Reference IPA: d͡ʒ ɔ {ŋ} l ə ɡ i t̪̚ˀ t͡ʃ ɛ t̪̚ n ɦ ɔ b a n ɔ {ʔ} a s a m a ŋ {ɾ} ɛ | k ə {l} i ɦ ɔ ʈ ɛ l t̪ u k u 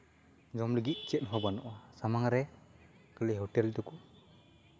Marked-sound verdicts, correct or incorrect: incorrect, correct, correct, correct

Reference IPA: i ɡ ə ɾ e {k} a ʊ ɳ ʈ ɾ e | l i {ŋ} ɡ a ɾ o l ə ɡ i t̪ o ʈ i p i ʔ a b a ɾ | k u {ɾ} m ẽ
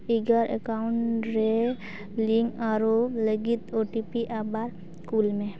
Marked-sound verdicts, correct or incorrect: correct, correct, incorrect

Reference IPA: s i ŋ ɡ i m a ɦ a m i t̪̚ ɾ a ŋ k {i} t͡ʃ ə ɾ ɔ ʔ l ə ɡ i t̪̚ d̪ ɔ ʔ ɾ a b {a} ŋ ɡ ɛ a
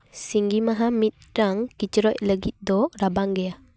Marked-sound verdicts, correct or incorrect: correct, correct

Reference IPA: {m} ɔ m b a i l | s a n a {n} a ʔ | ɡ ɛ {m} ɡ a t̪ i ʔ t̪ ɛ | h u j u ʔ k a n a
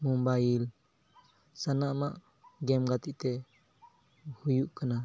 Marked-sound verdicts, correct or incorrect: correct, incorrect, correct

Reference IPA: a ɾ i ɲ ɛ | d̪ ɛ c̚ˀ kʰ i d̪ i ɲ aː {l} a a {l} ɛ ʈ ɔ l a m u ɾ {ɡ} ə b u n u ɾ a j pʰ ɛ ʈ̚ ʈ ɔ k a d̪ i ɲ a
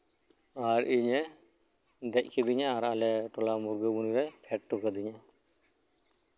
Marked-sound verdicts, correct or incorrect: incorrect, correct, correct

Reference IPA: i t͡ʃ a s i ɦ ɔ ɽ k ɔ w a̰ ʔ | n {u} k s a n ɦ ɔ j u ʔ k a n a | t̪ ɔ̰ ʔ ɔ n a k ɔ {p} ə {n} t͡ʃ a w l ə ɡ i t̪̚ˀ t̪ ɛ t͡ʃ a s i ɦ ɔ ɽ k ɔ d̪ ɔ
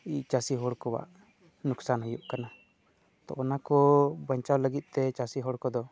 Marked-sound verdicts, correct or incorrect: correct, incorrect, incorrect

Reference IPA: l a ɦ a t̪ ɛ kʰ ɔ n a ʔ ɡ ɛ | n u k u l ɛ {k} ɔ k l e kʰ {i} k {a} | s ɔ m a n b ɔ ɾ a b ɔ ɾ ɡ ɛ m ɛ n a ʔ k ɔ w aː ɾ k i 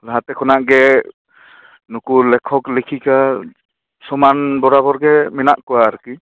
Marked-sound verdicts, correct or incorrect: incorrect, correct, correct

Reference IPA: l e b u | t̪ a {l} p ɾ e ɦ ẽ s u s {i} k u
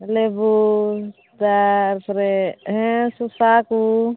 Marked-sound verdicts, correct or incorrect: incorrect, incorrect

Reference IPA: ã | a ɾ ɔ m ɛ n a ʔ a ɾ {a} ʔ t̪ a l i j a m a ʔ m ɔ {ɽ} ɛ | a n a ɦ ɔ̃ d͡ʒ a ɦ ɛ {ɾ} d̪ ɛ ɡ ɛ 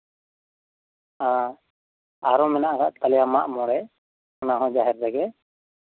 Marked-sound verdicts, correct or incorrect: correct, correct, correct

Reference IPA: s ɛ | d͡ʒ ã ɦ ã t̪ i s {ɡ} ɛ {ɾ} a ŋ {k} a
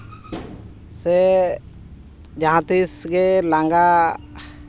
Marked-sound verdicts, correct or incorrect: correct, incorrect, incorrect

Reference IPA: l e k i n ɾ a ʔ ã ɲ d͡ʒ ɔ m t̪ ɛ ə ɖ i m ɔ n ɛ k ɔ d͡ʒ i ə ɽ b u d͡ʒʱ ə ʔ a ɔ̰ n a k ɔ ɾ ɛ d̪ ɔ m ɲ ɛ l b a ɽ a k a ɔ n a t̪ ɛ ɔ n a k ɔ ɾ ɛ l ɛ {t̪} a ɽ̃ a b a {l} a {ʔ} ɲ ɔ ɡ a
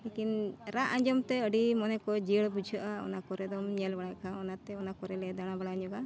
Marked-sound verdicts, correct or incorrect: incorrect, incorrect, incorrect

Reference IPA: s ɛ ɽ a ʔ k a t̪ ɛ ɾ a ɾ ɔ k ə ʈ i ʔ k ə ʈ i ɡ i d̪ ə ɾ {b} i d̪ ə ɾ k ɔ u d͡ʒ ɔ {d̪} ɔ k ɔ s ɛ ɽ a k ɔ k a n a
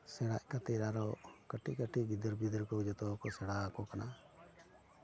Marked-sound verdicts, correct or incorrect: correct, incorrect

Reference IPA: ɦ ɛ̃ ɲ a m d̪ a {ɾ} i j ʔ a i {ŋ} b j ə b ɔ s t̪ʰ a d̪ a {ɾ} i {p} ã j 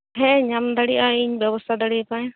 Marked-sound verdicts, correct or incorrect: incorrect, incorrect, incorrect, correct

